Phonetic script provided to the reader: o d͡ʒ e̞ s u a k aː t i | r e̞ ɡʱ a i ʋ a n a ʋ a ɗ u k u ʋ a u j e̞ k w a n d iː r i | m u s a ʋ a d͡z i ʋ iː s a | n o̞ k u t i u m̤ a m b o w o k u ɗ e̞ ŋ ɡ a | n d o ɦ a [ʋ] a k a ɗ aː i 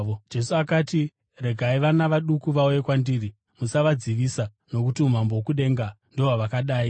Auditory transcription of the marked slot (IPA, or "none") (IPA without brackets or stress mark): ʋ